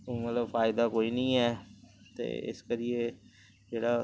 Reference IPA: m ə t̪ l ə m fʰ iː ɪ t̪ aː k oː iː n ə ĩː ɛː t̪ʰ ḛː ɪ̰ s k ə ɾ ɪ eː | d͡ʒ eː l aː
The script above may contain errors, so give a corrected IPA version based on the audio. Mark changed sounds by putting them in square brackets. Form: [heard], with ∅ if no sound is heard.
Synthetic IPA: m ə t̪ l ə [b] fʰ [aː] ɪ [d̪] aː k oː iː n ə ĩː ɛː [t̪] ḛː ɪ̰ s k ə ɾ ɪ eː | d͡ʒ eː [ɽ] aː